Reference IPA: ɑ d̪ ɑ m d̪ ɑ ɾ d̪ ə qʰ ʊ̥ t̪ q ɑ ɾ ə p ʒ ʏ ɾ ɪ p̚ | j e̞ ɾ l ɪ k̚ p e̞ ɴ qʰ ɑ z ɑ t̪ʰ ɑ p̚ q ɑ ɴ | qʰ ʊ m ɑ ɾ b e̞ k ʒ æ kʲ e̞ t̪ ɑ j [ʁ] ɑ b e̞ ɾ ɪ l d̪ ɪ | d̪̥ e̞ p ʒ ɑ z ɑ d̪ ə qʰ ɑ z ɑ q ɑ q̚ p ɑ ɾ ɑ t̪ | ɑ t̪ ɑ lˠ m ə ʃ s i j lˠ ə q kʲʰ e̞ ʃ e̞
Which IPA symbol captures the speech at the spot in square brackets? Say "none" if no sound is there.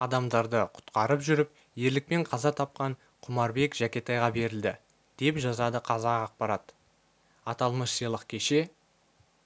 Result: ʁ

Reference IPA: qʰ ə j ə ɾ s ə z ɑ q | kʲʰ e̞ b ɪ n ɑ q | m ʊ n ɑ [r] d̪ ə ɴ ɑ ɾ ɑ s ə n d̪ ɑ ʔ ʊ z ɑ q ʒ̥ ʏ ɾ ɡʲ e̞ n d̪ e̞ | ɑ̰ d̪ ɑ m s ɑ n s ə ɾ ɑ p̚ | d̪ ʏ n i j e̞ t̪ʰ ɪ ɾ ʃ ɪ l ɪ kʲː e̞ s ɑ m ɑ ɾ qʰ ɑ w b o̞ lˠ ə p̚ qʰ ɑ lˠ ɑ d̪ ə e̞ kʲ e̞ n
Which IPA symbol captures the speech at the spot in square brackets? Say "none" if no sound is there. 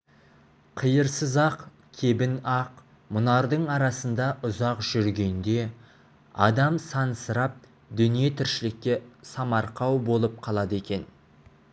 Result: ɾ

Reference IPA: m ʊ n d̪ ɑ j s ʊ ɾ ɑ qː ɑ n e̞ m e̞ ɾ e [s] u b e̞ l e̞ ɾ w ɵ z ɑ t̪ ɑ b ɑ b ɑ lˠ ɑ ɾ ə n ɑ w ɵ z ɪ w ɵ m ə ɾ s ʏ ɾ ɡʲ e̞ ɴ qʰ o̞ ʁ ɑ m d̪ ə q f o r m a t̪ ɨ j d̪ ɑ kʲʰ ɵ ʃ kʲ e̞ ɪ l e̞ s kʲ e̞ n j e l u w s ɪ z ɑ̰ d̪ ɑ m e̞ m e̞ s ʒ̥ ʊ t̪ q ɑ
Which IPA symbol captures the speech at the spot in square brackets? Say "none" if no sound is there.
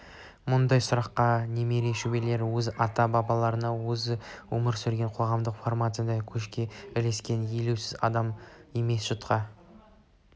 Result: ʃ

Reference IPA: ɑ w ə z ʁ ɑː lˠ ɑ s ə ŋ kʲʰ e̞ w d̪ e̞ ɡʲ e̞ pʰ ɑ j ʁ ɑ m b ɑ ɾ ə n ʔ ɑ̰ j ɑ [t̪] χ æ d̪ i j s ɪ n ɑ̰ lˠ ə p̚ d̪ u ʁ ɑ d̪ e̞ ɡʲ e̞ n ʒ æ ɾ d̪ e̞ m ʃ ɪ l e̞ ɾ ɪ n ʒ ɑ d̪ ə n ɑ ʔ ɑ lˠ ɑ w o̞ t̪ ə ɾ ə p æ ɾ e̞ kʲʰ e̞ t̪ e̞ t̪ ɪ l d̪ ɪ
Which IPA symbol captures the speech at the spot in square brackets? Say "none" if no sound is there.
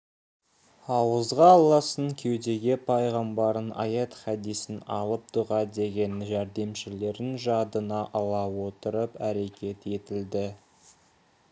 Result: t̪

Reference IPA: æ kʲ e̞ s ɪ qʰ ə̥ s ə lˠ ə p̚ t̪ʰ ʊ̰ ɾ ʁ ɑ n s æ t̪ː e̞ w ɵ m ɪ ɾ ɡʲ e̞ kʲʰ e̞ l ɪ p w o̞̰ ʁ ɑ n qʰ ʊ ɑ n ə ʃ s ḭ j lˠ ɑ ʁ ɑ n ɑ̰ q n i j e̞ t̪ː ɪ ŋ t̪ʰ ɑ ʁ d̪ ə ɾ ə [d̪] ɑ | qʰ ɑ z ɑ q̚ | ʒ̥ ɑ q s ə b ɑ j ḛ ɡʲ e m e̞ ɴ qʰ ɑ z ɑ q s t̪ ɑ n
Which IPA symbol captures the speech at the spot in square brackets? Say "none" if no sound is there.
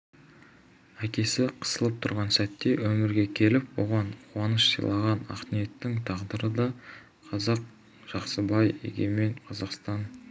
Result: d̪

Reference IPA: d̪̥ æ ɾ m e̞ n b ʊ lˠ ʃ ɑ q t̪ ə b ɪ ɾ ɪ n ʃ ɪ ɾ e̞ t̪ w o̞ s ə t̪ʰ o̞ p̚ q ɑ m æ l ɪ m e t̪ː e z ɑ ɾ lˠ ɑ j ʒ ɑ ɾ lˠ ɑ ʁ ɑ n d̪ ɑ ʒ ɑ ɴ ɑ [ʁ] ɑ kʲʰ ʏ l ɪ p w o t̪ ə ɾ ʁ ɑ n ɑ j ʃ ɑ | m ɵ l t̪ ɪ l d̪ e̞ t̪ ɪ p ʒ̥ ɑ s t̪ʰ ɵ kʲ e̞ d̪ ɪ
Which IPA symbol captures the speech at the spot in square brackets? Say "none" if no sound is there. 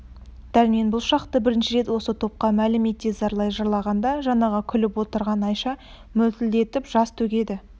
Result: ʁ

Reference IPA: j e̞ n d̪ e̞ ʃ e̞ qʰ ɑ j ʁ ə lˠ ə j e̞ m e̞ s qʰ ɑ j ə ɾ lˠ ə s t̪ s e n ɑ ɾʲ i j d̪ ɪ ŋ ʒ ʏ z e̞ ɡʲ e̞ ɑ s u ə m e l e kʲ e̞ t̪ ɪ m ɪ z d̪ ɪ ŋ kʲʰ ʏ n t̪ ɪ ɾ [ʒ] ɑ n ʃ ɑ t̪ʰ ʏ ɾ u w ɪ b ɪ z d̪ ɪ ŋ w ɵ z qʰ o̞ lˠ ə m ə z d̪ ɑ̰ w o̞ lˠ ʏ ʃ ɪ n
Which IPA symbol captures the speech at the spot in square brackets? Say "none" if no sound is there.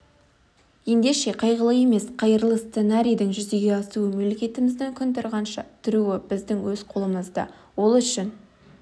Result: ʁ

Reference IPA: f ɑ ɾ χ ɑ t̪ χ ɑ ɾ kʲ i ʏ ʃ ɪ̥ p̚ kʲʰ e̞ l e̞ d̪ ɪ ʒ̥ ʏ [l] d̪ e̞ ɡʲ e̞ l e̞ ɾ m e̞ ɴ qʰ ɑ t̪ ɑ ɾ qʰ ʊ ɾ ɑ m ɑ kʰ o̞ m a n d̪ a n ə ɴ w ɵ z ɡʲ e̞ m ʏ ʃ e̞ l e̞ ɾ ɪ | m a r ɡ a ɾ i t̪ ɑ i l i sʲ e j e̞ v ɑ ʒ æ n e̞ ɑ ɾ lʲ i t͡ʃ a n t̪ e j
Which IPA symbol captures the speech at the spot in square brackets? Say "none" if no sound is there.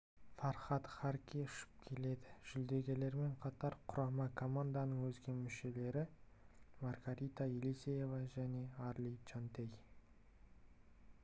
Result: l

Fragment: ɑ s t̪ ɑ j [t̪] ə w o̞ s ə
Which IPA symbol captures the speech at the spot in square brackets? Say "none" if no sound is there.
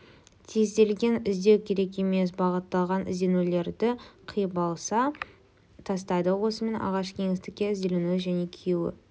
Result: d̪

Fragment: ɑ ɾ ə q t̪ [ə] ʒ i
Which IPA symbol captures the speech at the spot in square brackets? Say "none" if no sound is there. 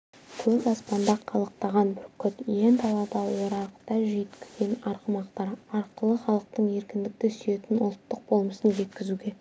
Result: ɑ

